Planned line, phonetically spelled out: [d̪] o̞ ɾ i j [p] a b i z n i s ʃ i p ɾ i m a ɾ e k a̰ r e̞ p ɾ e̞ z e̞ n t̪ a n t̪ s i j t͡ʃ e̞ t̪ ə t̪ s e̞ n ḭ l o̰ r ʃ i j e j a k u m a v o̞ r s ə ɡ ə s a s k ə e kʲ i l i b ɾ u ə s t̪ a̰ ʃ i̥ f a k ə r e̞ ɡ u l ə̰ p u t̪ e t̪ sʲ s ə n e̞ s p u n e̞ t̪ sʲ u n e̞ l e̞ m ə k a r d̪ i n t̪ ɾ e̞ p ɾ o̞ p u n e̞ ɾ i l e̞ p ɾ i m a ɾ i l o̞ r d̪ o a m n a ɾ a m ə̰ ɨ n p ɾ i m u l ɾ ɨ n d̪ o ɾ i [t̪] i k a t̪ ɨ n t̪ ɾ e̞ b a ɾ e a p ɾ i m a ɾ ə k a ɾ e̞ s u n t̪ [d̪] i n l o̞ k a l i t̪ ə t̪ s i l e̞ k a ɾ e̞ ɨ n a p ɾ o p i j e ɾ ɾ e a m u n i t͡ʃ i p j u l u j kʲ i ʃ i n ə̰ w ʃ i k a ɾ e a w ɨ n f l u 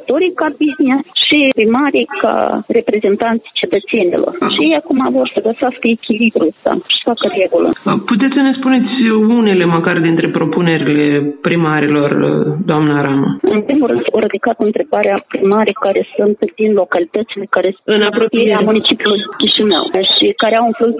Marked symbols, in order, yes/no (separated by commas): no, no, no, yes